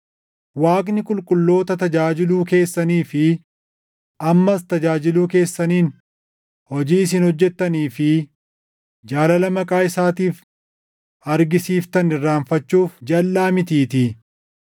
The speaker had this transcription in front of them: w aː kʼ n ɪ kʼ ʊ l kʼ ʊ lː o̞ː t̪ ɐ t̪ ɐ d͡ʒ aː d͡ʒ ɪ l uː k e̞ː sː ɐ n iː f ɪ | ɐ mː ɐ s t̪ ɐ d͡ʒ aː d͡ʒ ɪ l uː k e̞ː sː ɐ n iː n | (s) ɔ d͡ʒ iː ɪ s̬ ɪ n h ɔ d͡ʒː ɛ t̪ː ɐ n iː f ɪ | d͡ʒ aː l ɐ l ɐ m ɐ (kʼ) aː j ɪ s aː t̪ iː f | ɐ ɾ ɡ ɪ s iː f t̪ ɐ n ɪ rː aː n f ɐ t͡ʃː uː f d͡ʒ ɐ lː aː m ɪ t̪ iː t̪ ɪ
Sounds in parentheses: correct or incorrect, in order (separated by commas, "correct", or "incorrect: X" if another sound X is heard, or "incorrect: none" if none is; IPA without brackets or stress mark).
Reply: incorrect: h, correct